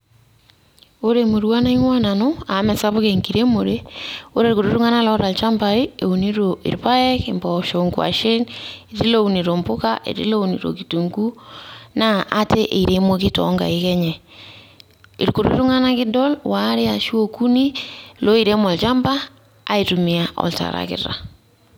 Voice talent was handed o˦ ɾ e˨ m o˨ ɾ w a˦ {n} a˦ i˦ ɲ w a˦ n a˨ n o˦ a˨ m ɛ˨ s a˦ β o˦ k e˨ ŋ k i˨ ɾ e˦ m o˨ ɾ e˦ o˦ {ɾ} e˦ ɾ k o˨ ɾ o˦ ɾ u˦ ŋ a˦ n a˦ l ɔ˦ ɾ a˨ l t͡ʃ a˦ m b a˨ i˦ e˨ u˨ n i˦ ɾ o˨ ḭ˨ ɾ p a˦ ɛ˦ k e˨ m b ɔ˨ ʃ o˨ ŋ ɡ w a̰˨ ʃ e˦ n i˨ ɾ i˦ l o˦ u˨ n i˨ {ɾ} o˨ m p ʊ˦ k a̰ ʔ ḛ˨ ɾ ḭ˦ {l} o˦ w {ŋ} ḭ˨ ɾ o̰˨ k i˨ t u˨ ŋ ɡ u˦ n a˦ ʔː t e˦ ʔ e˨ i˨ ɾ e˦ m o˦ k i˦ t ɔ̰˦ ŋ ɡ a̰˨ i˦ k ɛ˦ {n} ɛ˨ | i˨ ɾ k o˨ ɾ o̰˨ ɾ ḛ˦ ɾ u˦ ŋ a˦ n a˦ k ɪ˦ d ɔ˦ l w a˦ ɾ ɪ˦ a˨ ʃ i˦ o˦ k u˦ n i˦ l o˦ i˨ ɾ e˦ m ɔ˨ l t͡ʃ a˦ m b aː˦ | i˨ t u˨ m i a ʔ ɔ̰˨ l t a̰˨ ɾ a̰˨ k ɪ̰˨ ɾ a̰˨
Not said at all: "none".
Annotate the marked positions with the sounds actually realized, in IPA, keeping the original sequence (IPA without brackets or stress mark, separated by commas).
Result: n, ɾ, ɾ, l, n, ɲ